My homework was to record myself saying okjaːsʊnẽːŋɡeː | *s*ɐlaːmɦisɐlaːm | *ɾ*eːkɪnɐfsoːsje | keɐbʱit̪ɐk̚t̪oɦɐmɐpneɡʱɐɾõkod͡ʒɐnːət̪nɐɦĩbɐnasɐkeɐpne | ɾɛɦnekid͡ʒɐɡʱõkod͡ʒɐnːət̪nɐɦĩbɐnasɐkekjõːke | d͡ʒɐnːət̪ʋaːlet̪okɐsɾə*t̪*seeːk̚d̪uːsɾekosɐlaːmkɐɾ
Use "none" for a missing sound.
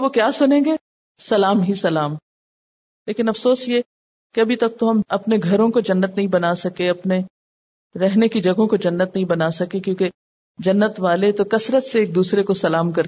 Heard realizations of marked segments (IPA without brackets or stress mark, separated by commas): s, l, t̪